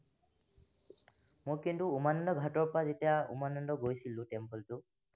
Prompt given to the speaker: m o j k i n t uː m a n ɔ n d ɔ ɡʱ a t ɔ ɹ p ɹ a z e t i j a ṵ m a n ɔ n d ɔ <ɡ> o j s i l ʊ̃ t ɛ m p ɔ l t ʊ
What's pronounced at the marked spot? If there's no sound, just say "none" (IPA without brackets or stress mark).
ɡ